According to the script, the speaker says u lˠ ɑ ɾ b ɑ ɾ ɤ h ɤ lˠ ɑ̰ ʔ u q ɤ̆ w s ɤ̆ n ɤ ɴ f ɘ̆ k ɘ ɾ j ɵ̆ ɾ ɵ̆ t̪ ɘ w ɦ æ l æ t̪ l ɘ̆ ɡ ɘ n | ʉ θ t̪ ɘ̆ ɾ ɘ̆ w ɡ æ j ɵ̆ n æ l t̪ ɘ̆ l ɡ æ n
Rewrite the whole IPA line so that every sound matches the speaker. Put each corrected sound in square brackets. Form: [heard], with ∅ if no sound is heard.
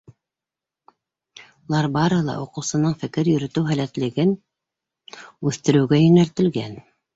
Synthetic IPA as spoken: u lˠ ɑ ɾ b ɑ ɾ ɤ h ɤ lˠ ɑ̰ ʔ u q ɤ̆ w s ɤ̆ n ɤ ɴ f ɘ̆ k ɘ ɾ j ɵ̆ ɾ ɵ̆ t̪ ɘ w ɦ æ l æ t̪ l ɘ̆ ɡ ɘ n | ʉ θ t̪ ɘ̆ ɾ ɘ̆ w ɡ æ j ɵ̆ n æ l t̪ ɘ̆ l ɡ æ n

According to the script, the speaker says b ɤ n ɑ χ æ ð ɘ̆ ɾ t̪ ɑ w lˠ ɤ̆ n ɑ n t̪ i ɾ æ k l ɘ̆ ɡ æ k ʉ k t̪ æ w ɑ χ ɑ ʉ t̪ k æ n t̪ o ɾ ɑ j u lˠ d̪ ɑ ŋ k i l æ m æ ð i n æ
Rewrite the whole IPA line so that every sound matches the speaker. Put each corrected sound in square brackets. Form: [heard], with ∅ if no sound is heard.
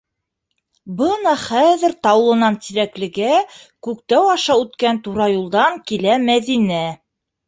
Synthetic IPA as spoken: b ɤ n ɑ χ æ ð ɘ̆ ɾ t̪ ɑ w lˠ ɤ̆ n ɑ n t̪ i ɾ æ k l ɘ̆ ɡ æ k ʉ k t̪ æ w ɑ [ʃ] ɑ ʉ t̪ k æ n t̪ [u] ɾ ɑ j u lˠ d̪ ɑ ŋ k i l æ m æ ð i n æ

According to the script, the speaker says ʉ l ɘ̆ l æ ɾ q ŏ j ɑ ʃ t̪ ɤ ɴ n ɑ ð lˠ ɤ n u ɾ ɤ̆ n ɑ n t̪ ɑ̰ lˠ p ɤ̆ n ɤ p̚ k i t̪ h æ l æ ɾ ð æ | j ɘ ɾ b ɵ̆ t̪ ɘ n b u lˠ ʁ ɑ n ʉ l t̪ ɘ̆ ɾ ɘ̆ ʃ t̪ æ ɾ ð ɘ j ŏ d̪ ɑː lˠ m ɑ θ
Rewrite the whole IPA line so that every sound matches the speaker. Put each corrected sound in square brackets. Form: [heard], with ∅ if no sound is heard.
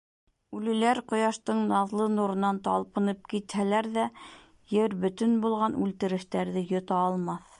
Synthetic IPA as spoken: ʉ l ɘ̆ l æ ɾ q ŏ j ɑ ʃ t̪ ɤ ɴ n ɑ ð lˠ ɤ n u ɾ ɤ̆ n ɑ n t̪ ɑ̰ lˠ p ɤ̆ n ɤ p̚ k i t̪ h æ l æ ɾ ð æ | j ɘ ɾ b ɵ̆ t̪ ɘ n b u lˠ ʁ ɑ n ʉ l t̪ ɘ̆ ɾ ɘ̆ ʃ t̪ æ ɾ ð ɘ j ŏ [t̪] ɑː lˠ m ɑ θ

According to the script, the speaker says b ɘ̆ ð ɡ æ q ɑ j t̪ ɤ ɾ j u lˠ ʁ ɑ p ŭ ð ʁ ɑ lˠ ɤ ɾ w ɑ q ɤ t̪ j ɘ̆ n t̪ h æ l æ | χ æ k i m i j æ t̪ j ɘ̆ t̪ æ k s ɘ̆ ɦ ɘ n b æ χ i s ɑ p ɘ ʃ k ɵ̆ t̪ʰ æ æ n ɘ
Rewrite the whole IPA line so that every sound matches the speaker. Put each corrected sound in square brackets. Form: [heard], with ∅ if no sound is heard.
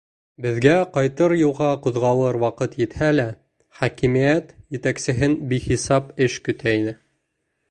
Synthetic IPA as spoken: b ɘ̆ ð ɡ æ q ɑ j t̪ ɤ ɾ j u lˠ ʁ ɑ [q] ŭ ð ʁ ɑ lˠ ɤ ɾ w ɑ q ɤ t̪ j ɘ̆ [∅] t̪ h æ l æ | χ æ k i m i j æ t̪ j ɘ̆ t̪ æ k s ɘ̆ ɦ ɘ n b [i] χ i s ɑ p ɘ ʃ k ɵ̆ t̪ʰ æ [i] n ɘ

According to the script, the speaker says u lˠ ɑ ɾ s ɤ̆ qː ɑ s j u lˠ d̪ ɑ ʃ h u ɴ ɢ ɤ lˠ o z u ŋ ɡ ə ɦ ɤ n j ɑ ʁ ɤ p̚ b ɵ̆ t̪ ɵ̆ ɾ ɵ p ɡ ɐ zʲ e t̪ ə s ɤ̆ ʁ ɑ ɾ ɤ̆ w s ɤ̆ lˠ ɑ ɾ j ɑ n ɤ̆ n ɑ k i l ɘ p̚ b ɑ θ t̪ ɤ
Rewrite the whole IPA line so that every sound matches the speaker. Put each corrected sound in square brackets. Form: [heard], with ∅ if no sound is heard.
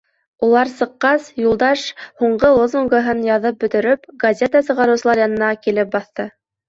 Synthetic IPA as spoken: u lˠ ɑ ɾ s ɤ̆ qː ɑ s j u lˠ d̪ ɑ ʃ h u ɴ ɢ ɤ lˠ o z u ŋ ɡ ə ɦ ɤ n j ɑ [ð] ɤ p̚ b ɵ̆ t̪ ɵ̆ ɾ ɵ p ɡ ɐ zʲ e t̪ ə s ɤ̆ ʁ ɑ ɾ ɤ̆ w s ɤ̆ lˠ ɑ ɾ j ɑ n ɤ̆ n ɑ k i l ɘ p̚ b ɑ θ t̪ ɤ

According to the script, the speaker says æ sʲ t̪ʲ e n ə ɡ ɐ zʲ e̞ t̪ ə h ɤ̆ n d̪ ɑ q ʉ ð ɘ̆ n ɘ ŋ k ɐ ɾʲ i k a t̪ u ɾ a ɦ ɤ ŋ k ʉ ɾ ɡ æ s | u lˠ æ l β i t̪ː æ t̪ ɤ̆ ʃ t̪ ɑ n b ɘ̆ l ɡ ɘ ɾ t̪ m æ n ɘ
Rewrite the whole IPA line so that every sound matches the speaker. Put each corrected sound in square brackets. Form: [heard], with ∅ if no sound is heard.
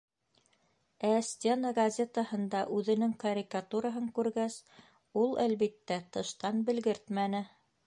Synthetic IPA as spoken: æ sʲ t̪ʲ e n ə ɡ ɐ zʲ e̞ t̪ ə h ɤ̆ n d̪ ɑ [ʔ] ʉ ð ɘ̆ n ɘ ŋ k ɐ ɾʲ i k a t̪ u ɾ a ɦ ɤ ŋ k ʉ ɾ ɡ æ s | u lˠ æ l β i t̪ː æ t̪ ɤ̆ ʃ t̪ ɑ n b ɘ̆ l ɡ ɘ ɾ t̪ m æ n ɘ

